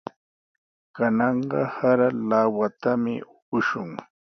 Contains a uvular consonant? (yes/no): yes